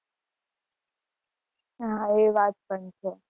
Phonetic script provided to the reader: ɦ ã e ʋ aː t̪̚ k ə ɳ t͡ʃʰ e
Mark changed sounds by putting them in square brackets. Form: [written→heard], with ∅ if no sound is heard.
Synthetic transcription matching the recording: ɦ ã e ʋ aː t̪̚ [k→p] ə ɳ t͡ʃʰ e